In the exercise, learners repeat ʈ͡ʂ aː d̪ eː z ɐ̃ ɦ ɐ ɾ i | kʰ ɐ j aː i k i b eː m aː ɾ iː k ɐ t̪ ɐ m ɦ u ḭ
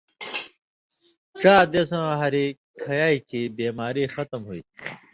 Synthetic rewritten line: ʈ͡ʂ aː d̪ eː s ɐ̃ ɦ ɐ ɾ i | kʰ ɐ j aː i k i b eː m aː ɾ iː x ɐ t̪ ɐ m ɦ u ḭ